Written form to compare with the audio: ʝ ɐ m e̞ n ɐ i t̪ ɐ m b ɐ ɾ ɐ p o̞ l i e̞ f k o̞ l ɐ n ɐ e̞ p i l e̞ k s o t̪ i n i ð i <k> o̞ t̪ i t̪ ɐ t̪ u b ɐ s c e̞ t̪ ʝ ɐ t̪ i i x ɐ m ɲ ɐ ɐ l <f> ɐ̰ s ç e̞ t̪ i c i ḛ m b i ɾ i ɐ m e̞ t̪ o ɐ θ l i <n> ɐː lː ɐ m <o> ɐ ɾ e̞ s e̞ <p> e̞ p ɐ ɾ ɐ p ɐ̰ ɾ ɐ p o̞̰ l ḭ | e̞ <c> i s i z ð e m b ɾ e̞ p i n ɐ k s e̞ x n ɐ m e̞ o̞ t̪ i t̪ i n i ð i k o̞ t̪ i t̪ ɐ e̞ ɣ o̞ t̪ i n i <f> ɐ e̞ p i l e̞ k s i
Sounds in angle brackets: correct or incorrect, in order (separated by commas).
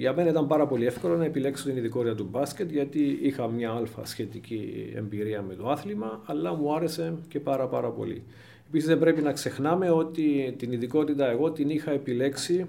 correct, correct, incorrect, incorrect, incorrect, incorrect, incorrect